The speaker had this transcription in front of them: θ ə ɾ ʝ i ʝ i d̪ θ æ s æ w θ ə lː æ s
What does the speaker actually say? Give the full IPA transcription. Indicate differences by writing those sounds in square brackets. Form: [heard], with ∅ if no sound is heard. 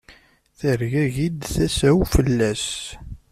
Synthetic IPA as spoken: θ ə ɾ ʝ [æ] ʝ i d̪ θ æ s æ w [f] ə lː æ s